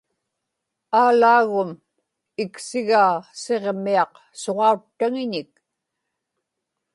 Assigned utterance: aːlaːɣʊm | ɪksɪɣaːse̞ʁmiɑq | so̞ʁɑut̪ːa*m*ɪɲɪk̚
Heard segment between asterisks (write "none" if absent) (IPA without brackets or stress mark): ŋ